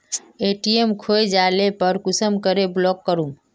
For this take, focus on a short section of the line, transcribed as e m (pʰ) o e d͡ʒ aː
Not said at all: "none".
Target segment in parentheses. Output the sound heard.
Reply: kʰ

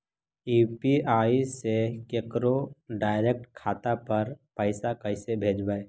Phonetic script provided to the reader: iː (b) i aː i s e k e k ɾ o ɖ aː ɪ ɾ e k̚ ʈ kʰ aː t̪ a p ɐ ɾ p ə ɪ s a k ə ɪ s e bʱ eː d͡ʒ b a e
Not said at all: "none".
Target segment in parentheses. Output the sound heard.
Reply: p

